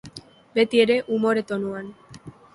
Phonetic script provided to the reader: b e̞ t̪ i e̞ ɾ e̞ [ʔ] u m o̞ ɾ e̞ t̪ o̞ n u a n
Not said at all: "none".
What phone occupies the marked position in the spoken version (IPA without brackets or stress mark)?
ʔ